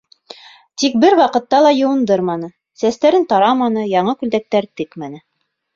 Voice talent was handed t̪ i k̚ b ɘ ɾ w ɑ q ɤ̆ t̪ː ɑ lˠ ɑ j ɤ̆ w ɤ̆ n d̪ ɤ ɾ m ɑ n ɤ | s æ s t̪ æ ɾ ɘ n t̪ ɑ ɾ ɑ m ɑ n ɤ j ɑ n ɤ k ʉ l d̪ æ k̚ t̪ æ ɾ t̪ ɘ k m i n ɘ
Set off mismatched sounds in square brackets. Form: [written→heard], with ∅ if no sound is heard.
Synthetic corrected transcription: t̪ i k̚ b ɘ ɾ w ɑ q ɤ̆ t̪ː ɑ lˠ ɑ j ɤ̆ w ɤ̆ n d̪ ɤ ɾ m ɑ n ɤ | s æ s t̪ æ ɾ ɘ n t̪ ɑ ɾ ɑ m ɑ n ɤ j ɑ [n→ɴ] ɤ k ʉ l d̪ æ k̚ t̪ æ ɾ t̪ ɘ k m [i→æ] n ɘ